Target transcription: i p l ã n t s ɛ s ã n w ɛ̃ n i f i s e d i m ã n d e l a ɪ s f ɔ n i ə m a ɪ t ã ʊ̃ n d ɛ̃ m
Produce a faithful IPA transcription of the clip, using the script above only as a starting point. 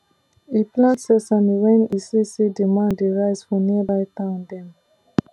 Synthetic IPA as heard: i p l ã n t s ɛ s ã n w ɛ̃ n i s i s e d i m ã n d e ɹ a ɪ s f ɔ n i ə b a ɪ t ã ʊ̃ n d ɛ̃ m